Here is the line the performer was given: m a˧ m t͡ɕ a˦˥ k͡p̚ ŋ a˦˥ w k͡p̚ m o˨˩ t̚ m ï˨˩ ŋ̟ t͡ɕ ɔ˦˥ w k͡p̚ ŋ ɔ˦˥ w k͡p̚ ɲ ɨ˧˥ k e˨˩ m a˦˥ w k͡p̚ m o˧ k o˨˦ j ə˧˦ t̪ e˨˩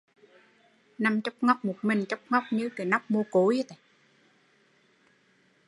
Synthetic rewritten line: n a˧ m t͡ɕ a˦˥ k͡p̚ ŋ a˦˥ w k͡p̚ m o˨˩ t̚ m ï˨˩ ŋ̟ t͡ɕ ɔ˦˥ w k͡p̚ ŋ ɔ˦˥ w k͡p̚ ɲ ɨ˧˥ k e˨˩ n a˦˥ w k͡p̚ m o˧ k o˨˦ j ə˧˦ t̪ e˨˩